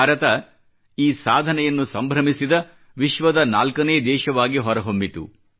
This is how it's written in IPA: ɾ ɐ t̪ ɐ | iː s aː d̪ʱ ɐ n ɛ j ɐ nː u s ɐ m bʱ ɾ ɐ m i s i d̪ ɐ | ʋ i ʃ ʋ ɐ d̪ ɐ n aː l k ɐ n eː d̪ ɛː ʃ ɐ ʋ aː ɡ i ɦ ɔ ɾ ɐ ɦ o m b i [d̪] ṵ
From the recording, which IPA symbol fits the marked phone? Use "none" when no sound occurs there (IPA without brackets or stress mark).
t̪